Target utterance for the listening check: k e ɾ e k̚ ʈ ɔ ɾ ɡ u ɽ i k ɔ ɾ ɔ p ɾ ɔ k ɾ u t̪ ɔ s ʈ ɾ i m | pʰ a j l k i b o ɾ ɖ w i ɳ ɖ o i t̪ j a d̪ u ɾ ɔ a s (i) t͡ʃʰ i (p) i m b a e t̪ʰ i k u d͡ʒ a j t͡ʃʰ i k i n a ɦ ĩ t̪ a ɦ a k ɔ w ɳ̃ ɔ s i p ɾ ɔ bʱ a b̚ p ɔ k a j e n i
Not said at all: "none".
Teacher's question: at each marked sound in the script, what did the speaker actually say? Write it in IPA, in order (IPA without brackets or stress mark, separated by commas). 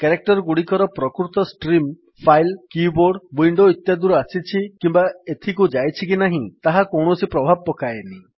i, k